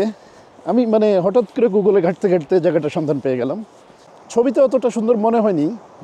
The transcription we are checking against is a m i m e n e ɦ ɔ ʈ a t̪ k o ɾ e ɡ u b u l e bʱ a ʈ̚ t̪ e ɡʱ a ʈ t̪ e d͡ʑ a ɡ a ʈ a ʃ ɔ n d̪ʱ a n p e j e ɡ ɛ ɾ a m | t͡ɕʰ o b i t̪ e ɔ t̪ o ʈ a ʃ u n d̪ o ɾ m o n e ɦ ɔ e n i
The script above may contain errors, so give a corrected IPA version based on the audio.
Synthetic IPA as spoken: a m i m a n e ɦ ɔ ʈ a t̪ k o ɾ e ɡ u ɡ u l e ɡʱ a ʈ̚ t̪ e ɡʱ a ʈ t̪ e d͡ʑ a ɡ a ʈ a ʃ ɔ n d̪ʱ a n p e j e ɡ ɛ l a m | t͡ɕʰ o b i t̪ e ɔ t̪ o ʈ a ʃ u n d̪ o ɾ m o n e ɦ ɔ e n i